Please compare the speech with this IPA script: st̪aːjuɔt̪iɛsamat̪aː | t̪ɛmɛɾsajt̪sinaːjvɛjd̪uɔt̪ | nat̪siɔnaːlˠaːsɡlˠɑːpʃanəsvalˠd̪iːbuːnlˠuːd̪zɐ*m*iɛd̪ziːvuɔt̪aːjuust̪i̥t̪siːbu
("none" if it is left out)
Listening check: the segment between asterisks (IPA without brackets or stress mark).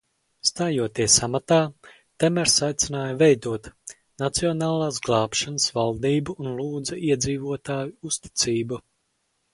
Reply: none